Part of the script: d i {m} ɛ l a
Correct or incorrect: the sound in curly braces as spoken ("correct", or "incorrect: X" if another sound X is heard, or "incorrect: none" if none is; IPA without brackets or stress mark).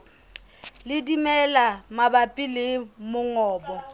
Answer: correct